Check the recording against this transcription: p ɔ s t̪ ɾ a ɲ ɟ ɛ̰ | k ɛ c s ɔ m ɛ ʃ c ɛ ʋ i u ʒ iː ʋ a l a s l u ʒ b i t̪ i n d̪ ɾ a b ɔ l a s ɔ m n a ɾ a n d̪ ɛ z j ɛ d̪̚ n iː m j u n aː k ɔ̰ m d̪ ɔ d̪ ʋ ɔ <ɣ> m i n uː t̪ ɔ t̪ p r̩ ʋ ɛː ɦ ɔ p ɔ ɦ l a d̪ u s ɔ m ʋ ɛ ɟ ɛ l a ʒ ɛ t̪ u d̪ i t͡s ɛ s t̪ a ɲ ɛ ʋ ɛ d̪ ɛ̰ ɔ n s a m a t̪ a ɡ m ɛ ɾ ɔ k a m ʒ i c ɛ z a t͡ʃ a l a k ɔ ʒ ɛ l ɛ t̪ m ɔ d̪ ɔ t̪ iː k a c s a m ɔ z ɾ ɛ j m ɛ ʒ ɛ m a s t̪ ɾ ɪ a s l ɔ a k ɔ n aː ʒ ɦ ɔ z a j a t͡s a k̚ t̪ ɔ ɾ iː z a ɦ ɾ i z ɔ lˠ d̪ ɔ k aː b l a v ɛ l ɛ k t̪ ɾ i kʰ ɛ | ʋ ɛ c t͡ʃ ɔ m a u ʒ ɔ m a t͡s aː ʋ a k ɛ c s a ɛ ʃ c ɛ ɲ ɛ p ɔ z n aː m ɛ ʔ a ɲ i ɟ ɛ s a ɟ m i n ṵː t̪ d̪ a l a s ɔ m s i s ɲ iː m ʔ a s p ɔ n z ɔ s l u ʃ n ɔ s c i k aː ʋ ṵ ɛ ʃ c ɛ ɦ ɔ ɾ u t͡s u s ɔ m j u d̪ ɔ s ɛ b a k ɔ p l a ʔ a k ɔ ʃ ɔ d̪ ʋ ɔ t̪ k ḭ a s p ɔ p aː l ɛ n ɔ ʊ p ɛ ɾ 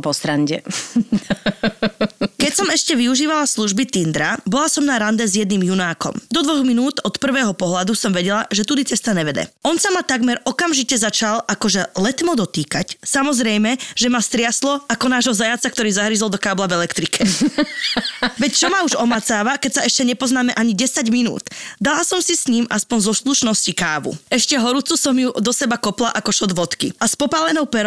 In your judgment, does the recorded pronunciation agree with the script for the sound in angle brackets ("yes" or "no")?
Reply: yes